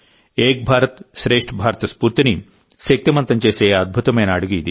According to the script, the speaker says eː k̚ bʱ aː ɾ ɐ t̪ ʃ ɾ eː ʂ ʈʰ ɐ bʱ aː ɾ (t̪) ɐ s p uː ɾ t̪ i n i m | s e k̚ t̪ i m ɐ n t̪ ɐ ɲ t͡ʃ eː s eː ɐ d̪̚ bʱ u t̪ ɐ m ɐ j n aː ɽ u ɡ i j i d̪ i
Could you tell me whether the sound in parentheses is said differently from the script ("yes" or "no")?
no